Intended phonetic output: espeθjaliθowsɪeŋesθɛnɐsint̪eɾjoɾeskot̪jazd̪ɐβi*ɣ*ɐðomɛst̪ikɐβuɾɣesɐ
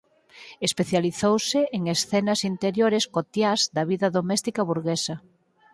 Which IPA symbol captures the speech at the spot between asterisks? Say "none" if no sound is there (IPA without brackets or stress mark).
ð